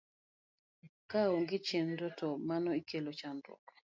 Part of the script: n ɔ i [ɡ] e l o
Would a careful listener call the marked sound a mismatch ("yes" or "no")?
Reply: yes